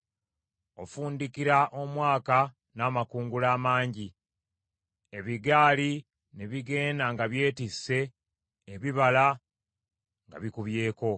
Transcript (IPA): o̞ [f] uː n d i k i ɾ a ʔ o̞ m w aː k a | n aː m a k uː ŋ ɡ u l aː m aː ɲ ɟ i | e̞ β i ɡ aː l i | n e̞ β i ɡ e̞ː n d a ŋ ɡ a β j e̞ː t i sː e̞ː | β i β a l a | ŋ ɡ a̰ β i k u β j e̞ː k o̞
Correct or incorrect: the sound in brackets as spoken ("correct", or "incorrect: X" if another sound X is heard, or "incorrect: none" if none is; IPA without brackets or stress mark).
correct